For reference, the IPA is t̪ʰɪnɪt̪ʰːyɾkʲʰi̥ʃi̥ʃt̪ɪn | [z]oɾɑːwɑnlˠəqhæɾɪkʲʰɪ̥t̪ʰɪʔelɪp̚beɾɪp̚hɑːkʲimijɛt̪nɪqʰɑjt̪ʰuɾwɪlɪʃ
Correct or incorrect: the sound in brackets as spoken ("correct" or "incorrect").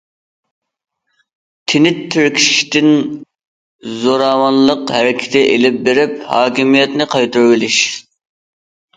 correct